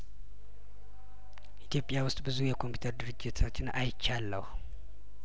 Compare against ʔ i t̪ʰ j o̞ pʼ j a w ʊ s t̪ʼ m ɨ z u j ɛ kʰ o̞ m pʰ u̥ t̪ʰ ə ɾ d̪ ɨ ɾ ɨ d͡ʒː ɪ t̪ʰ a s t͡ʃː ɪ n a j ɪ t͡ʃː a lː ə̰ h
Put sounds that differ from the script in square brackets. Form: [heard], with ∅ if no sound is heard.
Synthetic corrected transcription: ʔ i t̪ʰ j o̞ pʼ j a w ʊ s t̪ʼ [b] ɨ z u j ɛ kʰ o̞ m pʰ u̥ t̪ʰ ə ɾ d̪ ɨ ɾ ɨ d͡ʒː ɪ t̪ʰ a [∅] t͡ʃː ɪ n a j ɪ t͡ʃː a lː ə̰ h